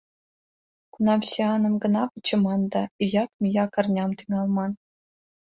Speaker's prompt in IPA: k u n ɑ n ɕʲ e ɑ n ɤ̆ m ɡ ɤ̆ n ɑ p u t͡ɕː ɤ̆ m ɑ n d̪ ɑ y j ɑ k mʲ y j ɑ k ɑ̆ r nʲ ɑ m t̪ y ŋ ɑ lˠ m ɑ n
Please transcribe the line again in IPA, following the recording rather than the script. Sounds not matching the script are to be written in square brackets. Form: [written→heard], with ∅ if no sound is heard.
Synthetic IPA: k u n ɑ [n→m] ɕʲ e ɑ n ɤ̆ m ɡ ɤ̆ n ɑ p u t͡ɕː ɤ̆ m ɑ n d̪ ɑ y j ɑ k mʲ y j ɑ k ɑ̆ r nʲ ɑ m t̪ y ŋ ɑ lˠ m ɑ n

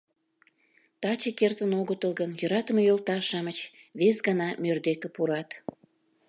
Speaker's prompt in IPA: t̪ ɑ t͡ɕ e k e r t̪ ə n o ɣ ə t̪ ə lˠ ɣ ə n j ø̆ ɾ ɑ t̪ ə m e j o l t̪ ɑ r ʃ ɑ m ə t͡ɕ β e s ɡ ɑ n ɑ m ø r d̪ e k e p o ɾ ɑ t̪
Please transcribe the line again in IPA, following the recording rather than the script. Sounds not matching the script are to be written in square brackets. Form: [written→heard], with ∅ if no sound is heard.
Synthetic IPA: t̪ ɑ t͡ɕ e k e r t̪ ə n o ɣ ə t̪ ə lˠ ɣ ə n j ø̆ ɾ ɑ t̪ ə m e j o l t̪ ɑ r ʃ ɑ m ə t͡ɕ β e s ɡ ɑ n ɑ m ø r d̪ e k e p [o→u] ɾ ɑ t̪

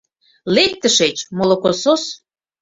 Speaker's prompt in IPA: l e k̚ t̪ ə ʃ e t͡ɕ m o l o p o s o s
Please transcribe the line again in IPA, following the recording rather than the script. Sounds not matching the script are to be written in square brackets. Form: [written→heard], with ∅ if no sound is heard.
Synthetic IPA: l e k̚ t̪ ə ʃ e t͡ɕ m o l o [p→k] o s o s

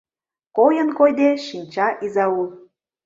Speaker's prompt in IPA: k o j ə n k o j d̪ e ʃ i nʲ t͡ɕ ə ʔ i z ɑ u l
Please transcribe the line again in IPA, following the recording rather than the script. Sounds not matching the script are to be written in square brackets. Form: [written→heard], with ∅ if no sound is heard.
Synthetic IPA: k o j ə n k o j d̪ e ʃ i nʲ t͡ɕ [ə→ɑ] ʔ i z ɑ u l

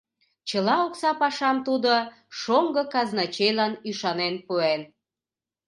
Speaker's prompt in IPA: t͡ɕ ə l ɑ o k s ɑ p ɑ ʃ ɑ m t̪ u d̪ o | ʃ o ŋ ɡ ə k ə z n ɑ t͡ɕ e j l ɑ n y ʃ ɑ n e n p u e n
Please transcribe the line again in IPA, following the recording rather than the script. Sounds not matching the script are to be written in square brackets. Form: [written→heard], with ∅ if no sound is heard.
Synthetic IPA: t͡ɕ ə l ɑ o k s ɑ p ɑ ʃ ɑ m t̪ u d̪ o | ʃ o ŋ ɡ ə k [ə→ɑ] z n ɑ t͡ɕ e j l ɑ n y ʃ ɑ n e n p u e n

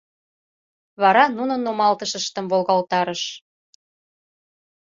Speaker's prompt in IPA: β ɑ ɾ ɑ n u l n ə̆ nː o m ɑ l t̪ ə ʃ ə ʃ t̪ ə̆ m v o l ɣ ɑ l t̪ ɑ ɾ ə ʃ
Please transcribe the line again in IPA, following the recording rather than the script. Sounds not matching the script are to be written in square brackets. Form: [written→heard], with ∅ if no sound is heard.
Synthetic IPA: β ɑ ɾ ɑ n u [l→∅] n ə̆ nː o m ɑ l t̪ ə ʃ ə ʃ t̪ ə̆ m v o l ɣ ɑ l t̪ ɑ ɾ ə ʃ

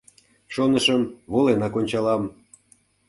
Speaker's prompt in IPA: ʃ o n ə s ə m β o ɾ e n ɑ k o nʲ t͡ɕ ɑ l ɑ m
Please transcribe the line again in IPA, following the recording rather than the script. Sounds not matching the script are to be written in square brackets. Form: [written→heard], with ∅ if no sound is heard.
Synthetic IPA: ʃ o n ə [s→ʃ] ə m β o [ɾ→l] e n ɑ k o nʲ t͡ɕ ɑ l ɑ m

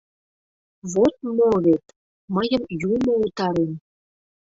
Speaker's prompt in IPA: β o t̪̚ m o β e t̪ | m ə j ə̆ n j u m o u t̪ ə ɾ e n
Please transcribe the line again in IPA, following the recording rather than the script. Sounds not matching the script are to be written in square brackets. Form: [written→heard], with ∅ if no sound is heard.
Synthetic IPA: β o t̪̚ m o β e t̪ | m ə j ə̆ [n→m] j u m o u t̪ [ə→ɑ] ɾ e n

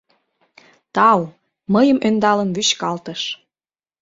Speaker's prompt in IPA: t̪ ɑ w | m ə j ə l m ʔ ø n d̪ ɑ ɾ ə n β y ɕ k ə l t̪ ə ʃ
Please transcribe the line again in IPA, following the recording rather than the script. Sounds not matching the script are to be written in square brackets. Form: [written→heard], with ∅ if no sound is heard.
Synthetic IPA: t̪ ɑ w | m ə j ə [l→∅] m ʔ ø n d̪ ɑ [ɾ→l] ə n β y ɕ k [ə→ɑ] l t̪ ə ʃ

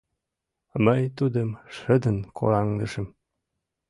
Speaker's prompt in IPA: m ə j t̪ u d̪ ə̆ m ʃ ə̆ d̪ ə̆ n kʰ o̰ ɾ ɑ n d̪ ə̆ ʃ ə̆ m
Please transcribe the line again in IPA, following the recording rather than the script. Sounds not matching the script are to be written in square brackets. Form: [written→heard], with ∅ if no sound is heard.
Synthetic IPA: m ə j t̪ u d̪ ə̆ m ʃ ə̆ d̪ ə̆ n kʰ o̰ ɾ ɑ [n→ŋ] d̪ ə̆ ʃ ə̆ m

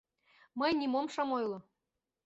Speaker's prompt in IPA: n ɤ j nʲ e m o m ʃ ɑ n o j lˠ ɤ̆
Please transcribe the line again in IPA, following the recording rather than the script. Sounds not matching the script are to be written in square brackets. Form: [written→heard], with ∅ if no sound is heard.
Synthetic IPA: [n→m] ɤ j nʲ [e→i] m o m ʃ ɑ [n→m] o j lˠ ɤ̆

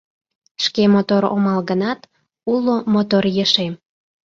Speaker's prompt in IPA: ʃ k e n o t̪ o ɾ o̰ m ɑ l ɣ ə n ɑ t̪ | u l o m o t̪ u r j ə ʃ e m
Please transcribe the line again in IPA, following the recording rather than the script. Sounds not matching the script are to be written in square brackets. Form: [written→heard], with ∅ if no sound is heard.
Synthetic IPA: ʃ k e [n→m] o t̪ o ɾ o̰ m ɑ l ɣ ə n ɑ t̪ | u l o m o t̪ [u→o] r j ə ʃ e m

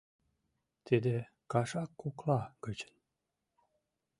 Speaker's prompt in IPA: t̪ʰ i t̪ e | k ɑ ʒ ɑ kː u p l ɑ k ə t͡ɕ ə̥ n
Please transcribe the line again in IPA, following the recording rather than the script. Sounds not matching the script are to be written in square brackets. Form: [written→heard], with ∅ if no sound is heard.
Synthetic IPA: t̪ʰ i [t̪→d̪] e | k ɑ [ʒ→ʃ] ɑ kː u [p→k] l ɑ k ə t͡ɕ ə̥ n

